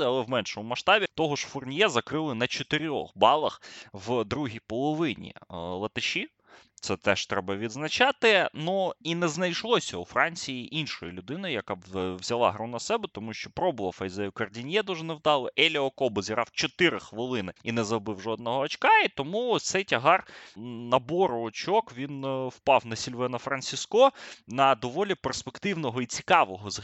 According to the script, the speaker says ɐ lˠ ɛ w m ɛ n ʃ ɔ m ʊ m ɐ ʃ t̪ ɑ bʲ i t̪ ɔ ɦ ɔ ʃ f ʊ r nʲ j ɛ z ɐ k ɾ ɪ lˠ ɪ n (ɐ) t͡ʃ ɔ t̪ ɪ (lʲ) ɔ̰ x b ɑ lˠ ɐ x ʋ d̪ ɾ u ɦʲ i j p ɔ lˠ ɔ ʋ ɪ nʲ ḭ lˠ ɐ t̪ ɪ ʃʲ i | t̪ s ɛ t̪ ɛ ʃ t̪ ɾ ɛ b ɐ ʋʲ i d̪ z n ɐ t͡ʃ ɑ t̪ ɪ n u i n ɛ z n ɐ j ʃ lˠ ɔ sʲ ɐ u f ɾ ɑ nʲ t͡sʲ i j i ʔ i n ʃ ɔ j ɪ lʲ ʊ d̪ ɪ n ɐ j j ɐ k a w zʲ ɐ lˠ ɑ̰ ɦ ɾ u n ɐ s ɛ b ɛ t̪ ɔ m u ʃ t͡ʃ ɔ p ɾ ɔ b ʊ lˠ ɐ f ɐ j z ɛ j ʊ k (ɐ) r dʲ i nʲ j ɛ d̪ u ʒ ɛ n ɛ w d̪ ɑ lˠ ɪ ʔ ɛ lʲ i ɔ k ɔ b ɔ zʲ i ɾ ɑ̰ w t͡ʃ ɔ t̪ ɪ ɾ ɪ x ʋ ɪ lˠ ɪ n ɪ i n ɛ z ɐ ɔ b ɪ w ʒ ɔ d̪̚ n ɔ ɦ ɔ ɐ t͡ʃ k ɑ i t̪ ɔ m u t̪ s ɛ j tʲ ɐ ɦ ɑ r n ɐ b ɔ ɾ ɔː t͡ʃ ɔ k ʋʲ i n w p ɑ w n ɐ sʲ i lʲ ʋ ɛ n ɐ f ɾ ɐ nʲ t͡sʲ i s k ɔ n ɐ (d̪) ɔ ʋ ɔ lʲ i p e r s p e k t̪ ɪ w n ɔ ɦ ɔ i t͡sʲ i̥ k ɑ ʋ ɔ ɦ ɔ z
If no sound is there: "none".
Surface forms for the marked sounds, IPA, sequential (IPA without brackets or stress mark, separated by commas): ɐ, ɾʲ, ɐ, d̪